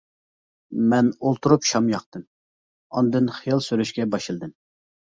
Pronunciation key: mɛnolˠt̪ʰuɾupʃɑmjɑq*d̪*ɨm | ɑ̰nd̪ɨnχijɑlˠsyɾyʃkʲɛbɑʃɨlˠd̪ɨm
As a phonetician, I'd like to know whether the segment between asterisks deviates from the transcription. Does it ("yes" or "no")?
yes